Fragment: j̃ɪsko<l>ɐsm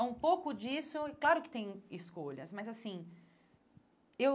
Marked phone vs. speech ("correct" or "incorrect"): incorrect